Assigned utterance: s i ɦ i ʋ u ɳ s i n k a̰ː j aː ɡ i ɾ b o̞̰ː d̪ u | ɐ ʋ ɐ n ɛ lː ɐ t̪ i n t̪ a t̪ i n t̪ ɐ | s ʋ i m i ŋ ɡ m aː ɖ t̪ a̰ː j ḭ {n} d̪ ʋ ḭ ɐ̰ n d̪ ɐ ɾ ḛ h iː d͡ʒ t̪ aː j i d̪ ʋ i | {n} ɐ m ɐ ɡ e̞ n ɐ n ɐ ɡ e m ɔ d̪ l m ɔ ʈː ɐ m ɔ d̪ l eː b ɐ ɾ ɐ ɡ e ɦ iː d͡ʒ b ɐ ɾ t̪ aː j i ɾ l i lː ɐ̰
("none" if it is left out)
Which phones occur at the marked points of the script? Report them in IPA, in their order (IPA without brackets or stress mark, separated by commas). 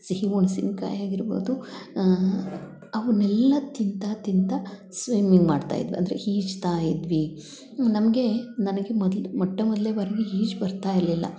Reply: none, n